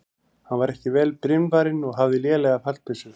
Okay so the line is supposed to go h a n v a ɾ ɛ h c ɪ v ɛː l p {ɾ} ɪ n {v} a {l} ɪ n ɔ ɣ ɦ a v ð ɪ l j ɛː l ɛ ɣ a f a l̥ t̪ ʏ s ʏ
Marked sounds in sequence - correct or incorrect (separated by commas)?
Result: correct, correct, incorrect